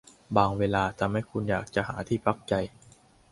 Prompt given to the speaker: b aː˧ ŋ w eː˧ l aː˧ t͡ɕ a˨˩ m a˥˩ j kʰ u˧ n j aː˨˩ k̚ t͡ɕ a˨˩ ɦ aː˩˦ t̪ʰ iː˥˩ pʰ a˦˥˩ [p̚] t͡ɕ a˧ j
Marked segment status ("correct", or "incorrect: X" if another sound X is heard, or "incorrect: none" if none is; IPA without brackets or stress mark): incorrect: k̚